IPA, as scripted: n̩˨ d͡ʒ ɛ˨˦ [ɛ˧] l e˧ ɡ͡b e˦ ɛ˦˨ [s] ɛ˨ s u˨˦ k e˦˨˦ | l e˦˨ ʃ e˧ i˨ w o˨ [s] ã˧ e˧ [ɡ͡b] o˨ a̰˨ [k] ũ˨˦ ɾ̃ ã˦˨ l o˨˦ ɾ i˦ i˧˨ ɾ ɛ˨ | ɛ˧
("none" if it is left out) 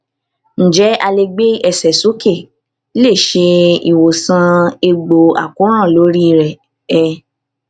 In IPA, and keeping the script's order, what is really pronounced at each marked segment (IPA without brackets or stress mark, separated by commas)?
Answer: a˧, s, s, ɡ͡b, k